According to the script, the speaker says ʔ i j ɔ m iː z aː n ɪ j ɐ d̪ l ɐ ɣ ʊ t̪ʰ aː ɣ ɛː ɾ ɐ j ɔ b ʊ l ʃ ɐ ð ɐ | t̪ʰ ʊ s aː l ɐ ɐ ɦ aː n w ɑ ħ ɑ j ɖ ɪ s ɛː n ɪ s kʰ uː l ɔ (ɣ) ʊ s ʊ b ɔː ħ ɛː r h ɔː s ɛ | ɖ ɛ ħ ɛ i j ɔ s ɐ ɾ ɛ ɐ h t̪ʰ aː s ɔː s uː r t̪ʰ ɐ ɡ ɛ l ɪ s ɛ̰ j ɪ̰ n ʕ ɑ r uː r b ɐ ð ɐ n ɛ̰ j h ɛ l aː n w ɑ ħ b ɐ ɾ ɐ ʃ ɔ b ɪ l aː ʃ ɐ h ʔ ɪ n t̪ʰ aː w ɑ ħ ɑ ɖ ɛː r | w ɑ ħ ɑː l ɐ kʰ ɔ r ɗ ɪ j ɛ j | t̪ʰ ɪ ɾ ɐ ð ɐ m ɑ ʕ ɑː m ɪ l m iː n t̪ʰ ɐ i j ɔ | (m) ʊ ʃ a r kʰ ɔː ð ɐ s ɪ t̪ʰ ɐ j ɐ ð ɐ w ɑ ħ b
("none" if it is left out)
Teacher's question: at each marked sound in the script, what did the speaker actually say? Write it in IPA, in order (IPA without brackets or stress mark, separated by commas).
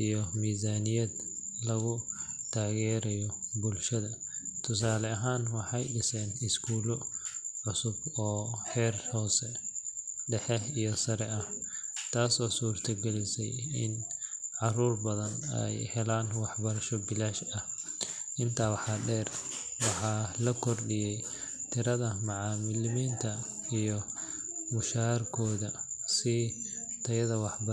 ʕ, m